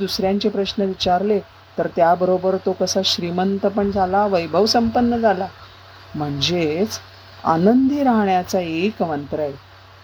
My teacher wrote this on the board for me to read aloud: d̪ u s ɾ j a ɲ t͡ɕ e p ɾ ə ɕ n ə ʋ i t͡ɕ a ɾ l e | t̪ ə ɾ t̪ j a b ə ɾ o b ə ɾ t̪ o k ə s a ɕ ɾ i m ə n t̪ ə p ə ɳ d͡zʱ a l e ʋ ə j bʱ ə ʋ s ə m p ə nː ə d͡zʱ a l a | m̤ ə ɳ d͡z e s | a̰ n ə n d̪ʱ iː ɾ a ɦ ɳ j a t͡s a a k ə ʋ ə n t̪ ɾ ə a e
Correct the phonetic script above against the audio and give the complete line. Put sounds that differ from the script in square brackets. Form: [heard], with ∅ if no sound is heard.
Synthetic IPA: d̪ u s ɾ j a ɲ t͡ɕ e p ɾ ə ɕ n ə ʋ i t͡ɕ a ɾ l e | t̪ ə ɾ t̪ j a b ə ɾ o b ə ɾ t̪ o k ə s a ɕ ɾ i m ə n t̪ ə p ə ɳ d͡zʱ a l [a] ʋ ə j bʱ ə ʋ s ə m p ə nː ə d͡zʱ a l a | m̤ ə ɳ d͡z e [t͡s] | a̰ n ə n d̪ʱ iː ɾ a ɦ ɳ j a t͡s a [e] k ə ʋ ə n t̪ ɾ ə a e